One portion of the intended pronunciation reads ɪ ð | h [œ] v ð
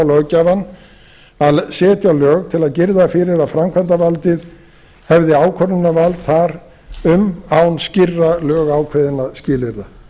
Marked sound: incorrect: ɛ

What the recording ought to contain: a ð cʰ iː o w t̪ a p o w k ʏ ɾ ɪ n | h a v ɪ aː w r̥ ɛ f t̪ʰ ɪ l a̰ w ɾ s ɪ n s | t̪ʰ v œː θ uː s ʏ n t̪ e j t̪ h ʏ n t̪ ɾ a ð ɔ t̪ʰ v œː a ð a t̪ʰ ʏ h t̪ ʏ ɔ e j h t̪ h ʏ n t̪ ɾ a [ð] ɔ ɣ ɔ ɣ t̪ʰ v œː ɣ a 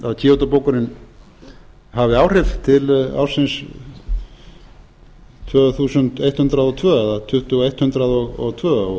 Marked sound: correct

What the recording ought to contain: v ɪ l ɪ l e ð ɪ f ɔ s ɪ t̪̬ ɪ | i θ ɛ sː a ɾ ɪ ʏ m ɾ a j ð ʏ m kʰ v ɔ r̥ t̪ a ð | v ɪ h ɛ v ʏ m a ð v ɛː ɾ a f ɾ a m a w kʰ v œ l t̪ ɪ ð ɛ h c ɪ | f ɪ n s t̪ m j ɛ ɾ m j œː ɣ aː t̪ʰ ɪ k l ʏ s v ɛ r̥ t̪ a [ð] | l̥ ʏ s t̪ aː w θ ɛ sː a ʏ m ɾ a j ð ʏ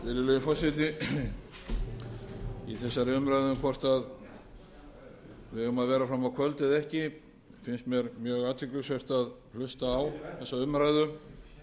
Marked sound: correct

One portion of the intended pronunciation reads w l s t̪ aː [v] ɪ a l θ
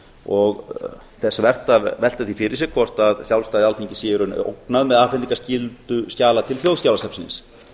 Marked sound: incorrect: ð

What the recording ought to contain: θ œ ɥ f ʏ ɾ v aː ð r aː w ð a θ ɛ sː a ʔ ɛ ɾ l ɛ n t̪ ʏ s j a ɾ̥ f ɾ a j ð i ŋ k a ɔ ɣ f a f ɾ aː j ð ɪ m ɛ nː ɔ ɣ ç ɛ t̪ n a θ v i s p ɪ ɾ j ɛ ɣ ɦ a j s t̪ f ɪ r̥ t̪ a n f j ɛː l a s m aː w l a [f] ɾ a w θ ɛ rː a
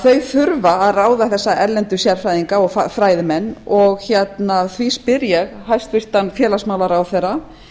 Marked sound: incorrect: none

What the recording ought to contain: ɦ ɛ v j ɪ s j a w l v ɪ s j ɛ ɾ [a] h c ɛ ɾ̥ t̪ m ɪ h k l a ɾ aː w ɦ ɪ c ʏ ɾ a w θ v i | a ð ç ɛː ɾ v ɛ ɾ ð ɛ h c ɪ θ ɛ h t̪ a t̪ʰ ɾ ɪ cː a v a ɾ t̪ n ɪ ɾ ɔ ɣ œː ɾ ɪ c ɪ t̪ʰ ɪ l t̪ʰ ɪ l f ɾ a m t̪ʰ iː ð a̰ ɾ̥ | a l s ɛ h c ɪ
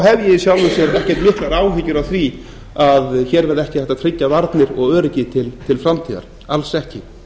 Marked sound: incorrect: ɛ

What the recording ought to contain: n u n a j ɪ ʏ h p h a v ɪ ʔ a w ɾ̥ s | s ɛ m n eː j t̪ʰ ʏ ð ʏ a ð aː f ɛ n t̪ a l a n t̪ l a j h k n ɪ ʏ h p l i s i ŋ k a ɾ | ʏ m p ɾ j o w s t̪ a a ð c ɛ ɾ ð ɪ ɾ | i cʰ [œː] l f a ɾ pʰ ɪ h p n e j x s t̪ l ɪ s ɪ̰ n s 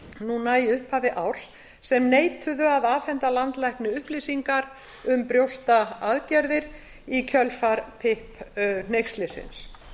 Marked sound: incorrect: œ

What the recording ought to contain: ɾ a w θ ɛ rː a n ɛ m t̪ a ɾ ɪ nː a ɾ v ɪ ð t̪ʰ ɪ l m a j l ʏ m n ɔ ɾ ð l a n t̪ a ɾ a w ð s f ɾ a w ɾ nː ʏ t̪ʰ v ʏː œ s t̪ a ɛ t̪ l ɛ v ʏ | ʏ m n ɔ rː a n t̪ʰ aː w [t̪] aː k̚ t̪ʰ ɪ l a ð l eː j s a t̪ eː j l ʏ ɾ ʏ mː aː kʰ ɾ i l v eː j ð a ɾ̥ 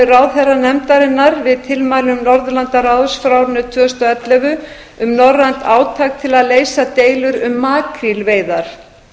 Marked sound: incorrect: t̪ʰ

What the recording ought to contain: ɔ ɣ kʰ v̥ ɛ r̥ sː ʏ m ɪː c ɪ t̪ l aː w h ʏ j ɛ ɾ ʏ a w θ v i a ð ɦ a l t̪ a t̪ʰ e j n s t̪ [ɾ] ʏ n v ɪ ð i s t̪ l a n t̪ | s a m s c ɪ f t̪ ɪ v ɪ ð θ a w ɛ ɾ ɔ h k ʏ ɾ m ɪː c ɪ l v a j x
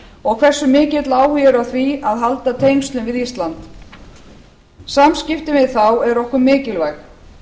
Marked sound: incorrect: l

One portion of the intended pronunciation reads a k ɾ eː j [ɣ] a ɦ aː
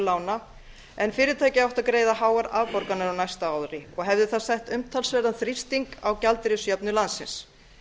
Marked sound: incorrect: ð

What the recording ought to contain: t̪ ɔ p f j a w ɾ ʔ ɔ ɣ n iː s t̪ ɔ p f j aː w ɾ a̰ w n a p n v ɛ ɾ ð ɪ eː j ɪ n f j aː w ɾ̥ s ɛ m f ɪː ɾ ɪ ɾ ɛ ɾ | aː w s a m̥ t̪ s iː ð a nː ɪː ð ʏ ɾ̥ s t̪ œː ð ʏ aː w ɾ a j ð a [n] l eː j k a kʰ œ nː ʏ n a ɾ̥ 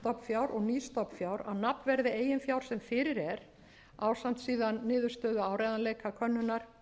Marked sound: correct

